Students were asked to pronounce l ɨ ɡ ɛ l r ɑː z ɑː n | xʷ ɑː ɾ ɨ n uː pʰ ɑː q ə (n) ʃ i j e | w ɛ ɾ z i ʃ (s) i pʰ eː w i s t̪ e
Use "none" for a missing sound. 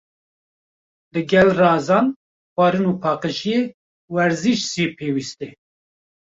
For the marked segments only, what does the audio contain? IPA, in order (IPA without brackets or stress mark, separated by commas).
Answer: none, s